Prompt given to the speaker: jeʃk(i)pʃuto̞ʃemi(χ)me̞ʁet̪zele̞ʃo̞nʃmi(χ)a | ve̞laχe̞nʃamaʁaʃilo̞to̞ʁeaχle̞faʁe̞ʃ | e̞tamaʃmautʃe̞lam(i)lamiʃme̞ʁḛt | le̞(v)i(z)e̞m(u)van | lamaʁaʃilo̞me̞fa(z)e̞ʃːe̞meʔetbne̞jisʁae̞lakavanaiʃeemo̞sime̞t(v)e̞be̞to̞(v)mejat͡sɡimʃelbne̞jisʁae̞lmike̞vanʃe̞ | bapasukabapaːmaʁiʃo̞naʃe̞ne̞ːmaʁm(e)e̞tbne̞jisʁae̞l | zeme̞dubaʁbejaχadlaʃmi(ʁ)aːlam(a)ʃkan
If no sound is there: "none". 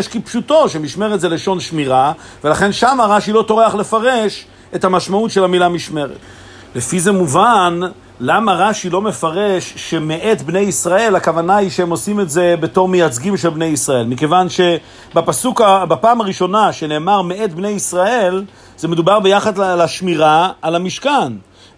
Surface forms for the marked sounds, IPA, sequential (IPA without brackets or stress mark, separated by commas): i, ʃ, ʁ, i, f, z, u, ʁ, z, ʁ, e, ʁ, i